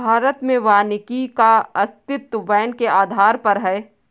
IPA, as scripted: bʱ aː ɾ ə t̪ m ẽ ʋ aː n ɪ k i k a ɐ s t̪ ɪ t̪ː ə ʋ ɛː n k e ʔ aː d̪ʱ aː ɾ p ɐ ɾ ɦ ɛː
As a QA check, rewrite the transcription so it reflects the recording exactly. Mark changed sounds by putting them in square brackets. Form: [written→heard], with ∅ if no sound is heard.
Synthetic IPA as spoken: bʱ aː ɾ ə t̪ m ẽ ʋ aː n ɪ k i k a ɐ s t̪ ɪ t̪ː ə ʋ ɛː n k e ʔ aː d̪ʱ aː ɾ p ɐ ɾ ɦ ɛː